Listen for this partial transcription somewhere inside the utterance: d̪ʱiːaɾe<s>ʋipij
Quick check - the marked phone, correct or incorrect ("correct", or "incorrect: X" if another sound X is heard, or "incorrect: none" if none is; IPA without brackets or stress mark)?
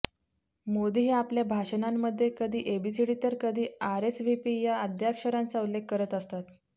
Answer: correct